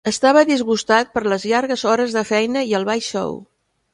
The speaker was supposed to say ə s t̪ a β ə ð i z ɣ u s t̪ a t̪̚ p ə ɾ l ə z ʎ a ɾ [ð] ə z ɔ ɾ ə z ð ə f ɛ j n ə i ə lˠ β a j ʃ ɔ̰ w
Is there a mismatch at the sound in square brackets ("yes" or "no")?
yes